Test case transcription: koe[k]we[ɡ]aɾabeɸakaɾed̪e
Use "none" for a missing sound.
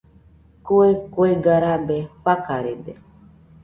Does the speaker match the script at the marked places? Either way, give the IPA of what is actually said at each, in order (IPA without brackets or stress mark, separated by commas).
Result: k, ɡ